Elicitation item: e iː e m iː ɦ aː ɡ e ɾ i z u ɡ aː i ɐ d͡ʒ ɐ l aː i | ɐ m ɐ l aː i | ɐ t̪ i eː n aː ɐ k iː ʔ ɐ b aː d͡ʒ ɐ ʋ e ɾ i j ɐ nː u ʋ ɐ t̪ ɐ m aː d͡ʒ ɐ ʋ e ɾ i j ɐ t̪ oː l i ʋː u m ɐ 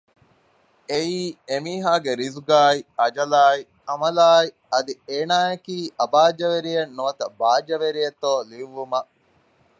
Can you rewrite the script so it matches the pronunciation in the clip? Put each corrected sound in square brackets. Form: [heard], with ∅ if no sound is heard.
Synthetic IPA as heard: e iː e m iː ɦ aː ɡ e ɾ i z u ɡ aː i ɐ d͡ʒ ɐ l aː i | ɐ m ɐ l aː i | ɐ [d̪] i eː n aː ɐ k iː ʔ ɐ b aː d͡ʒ ɐ ʋ e ɾ i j ɐ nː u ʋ ɐ t̪ ɐ [b] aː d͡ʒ ɐ ʋ e ɾ i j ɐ t̪ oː l i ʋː u m ɐ